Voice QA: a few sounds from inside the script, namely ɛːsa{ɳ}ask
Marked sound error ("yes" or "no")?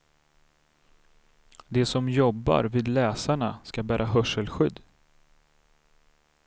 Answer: no